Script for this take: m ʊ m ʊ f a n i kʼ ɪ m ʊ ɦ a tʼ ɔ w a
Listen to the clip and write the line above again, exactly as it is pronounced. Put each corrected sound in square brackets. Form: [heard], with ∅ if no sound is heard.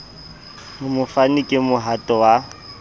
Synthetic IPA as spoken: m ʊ m ʊ f a n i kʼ ɪ m ʊ ɦ a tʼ ɔ w a